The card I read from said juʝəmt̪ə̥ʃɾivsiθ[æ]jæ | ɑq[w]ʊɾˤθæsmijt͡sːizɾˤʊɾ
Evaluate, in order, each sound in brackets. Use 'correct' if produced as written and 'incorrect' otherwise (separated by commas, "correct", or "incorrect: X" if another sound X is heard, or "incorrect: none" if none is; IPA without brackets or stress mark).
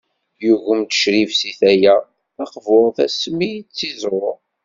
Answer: correct, incorrect: v